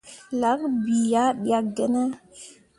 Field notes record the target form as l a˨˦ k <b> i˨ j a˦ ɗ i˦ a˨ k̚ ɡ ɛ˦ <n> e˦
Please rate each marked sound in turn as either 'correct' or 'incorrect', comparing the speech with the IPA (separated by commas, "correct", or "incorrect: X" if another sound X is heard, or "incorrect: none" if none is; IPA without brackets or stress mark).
correct, correct